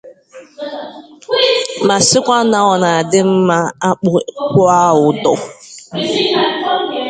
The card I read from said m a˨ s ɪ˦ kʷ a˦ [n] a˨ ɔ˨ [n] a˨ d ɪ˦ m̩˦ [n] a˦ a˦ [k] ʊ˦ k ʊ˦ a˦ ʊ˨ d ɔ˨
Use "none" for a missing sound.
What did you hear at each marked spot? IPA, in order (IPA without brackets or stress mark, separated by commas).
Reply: n, n, m, k͡p